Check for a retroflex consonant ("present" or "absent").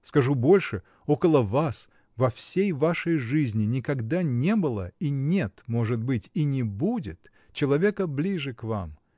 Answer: present